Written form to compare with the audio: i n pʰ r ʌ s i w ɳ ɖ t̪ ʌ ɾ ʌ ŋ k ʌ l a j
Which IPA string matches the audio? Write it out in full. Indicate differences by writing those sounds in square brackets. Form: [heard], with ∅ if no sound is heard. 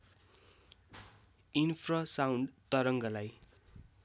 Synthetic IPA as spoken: i n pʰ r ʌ s [a] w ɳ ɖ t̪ ʌ ɾ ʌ ŋ [ɡ] ʌ l a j